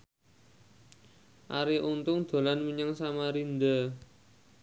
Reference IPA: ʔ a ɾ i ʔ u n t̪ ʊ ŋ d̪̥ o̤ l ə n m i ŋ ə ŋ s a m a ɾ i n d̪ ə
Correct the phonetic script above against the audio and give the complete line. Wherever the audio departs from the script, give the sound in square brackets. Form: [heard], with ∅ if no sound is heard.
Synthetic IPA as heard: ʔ a ɾ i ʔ u n t̪ ʊ ŋ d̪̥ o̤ l [a] n m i [ɲ] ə ŋ s a m a ɾ i n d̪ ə